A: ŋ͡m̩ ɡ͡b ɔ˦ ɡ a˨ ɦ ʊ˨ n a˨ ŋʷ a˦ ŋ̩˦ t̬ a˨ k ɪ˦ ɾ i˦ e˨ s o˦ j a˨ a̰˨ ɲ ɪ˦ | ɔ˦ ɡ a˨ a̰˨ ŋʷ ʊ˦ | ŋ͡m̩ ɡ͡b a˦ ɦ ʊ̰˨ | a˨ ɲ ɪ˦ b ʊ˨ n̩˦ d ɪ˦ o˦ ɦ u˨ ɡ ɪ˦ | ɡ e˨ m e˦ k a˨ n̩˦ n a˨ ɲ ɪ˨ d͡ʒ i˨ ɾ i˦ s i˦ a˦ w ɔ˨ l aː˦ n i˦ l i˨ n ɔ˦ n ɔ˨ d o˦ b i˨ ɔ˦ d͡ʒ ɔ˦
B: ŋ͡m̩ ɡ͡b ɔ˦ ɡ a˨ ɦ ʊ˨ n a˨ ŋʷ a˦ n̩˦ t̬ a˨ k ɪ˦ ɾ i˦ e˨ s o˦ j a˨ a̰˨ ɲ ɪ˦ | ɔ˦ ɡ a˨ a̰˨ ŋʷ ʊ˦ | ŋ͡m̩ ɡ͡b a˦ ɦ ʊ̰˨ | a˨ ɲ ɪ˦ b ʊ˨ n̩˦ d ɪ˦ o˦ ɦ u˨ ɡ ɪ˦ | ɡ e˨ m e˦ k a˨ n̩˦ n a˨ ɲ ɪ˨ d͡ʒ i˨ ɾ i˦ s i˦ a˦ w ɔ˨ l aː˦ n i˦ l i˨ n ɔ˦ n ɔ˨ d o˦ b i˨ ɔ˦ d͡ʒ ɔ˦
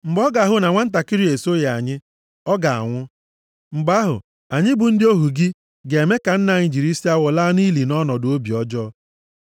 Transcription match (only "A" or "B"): B